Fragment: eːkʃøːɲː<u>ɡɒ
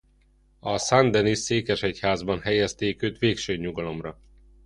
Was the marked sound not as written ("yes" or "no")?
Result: no